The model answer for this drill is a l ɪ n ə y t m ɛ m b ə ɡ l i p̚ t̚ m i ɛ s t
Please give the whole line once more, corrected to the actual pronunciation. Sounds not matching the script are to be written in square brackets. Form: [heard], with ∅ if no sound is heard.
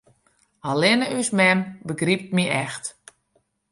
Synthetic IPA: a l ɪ n ə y [s] m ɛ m b ə ɡ [r] i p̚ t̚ m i ɛ [x] t